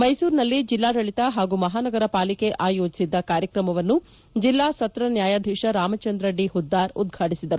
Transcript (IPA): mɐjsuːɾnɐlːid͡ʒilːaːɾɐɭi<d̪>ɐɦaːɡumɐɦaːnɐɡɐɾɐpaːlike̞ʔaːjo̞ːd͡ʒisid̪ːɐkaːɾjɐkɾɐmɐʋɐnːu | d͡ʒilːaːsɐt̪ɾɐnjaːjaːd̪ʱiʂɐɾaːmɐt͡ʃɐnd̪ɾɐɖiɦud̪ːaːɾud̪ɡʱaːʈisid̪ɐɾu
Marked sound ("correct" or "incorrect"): incorrect